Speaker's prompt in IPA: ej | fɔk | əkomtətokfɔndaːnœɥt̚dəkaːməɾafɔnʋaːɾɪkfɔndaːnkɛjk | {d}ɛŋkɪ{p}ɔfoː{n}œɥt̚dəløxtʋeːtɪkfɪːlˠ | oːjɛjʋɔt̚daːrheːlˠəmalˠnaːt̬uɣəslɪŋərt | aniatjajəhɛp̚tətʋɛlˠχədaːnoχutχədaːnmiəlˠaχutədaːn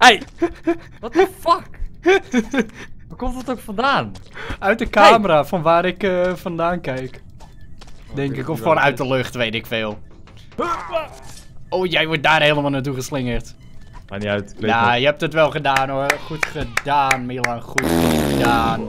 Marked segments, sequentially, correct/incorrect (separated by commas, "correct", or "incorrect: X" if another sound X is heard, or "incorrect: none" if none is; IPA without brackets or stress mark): correct, incorrect: k, correct